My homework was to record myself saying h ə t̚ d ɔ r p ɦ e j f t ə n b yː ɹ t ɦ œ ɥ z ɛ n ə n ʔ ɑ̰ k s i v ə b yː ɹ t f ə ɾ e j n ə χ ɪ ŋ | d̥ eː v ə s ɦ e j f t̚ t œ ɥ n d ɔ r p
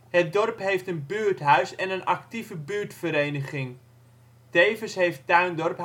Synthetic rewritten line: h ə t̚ d ɔ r p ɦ e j f t ə n b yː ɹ t ɦ œ ɥ s ɛ n ə n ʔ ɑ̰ k t i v ə b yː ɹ t f ə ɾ e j n ə χ ɪ ŋ | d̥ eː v ə s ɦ e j f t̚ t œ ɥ n d ɔ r p